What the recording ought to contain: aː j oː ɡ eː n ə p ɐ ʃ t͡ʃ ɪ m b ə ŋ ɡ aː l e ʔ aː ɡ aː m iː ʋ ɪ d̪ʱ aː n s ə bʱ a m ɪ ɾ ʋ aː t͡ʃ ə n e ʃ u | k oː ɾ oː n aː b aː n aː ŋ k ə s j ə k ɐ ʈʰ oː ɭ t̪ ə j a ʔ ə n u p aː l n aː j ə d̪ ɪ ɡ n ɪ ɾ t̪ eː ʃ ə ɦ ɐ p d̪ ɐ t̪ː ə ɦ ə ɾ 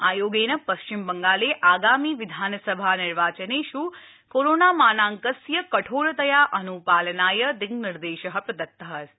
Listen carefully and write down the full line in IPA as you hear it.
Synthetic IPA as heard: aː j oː ɡ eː n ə p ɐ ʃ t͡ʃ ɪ m b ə ŋ ɡ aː l e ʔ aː ɡ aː m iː ʋ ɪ d̪ʱ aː n s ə bʱ a n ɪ ɾ ʋ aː t͡ʃ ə n e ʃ u | k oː ɾ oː n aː m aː n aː ŋ k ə s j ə k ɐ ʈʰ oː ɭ t̪ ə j a ʔ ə n u p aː l n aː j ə d̪ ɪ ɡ n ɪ ɾ d̪ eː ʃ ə ɦ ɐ p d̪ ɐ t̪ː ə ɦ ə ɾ

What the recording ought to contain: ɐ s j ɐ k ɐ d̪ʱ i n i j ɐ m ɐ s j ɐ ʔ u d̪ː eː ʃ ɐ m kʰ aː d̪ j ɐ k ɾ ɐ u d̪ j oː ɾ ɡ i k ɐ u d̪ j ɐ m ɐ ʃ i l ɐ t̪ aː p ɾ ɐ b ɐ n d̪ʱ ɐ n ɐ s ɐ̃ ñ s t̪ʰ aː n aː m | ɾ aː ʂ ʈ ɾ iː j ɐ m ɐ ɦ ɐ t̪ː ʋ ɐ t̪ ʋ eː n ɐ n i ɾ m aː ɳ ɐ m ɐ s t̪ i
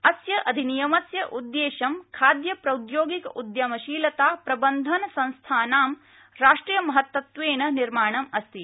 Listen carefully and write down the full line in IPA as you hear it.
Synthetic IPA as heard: ɐ s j ɐ ʔ ɐ d̪ʱ i n i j ɐ m ɐ s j ɐ ʔ u d̪ː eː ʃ ɐ m kʰ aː d̪ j ɐ p ɾ ɐ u d̪ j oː ɡ i k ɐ u d̪ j ɐ m ɐ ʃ iː l ɐ t̪ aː p ɾ ɐ b ɐ n d̪ʱ ɐ n ɐ s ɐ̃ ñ s t̪ʰ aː n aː m | ɾ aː ʂ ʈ ɾ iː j ɐ m ɐ ɦ ɐ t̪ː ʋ ɐ t̪ ʋ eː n ɐ n i ɾ m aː ɳ ɐ m ɐ s t̪ i

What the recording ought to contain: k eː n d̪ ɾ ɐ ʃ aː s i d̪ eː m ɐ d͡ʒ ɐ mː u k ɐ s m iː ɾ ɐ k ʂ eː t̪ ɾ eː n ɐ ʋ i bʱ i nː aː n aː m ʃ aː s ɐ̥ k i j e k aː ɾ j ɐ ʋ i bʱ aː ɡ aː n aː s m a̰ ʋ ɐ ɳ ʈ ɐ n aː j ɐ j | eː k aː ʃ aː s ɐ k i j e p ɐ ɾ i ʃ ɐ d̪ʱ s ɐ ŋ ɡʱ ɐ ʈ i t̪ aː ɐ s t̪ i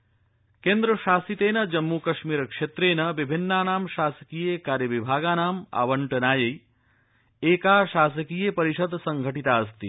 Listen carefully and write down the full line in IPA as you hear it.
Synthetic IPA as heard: k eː n d̪ ɾ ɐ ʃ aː s i t̪ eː n ɐ d͡ʒ ɐ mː u k ɐ ʃ m iː ɾ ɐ k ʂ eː t̪ ɾ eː n ɐ ʋ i bʱ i nː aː n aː m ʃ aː s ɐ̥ k i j e k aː ɾ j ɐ ʋ i bʱ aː ɡ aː n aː m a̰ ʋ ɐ ɳ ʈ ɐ n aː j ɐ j | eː k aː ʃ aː s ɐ k i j e p ɐ ɾ i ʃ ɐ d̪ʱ s ɐ ŋ ɡʱ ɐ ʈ i t̪ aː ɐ s t̪ i

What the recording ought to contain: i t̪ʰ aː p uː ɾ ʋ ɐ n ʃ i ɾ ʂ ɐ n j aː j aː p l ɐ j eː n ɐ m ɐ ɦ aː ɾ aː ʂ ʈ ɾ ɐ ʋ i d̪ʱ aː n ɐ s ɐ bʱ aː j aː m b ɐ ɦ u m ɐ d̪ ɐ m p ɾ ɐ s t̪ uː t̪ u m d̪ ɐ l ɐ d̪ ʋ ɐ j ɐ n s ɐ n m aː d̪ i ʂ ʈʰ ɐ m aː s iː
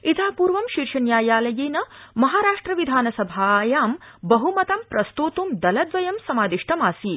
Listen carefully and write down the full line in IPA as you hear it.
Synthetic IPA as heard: i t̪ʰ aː p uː ɾ ʋ ɐ m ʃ i ɾ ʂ ɐ n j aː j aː l ɐ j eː n ɐ m ɐ ɦ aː ɾ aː ʂ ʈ ɾ ɐ ʋ i d̪ʱ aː n ɐ s ɐ bʱ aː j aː m b ɐ ɦ u m ɐ t̪ ɐ m p ɾ ɐ s t̪ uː t̪ u m d̪ ɐ l ɐ d̪ ʋ ɐ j ɐ m s ɐ m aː d̪ i ʂ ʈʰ ɐ m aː s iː

